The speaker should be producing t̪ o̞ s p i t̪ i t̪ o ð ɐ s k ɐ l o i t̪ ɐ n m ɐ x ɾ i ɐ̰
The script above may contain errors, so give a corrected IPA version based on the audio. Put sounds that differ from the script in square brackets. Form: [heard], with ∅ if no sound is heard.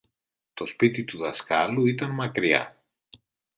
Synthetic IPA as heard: t̪ o̞ s p i t̪ i t̪ [u] ð ɐ s k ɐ l [u] i t̪ ɐ n m ɐ [k] ɾ i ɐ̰